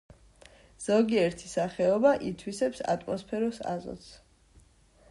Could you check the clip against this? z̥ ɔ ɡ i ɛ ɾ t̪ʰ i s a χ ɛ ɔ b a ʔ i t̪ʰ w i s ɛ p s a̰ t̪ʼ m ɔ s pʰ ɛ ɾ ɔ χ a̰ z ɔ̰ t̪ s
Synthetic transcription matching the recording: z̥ ɔ ɡ i ɛ ɾ t̪ʰ i s a χ ɛ ɔ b a ʔ i t̪ʰ w i s ɛ p s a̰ t̪ʼ m ɔ s pʰ ɛ ɾ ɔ s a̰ z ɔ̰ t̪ s